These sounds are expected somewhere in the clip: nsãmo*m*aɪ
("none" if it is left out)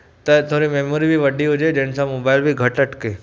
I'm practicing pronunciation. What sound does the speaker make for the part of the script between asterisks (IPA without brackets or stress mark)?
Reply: b